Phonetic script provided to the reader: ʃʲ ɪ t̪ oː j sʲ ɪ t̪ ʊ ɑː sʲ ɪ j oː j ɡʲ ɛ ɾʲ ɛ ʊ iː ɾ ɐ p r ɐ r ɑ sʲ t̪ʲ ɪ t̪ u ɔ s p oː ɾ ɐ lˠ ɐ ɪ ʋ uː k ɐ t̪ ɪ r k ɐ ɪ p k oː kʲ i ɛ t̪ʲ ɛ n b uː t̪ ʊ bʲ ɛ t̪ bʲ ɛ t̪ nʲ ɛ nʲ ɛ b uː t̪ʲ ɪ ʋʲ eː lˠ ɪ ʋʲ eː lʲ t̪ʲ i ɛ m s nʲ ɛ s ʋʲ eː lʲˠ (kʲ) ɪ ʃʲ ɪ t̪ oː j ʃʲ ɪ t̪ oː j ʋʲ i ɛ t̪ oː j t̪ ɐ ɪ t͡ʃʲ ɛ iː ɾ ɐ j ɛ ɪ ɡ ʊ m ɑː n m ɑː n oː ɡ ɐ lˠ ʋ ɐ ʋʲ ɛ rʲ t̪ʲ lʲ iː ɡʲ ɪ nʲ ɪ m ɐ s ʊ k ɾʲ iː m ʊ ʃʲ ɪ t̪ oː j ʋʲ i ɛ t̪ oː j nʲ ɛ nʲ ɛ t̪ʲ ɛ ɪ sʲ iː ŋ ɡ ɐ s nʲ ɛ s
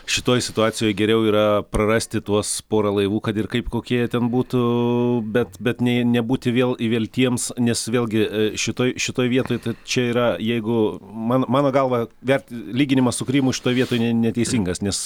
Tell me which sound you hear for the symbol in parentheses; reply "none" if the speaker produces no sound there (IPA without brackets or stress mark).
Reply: ɡʲ